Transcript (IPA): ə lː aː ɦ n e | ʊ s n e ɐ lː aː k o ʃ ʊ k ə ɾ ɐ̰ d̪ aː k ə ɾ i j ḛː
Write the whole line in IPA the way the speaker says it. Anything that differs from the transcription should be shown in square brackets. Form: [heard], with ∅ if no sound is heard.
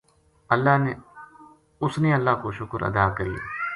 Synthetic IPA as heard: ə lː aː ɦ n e | ʊ s n e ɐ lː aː k o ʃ ʊ k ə ɾ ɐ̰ d̪ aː k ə ɾ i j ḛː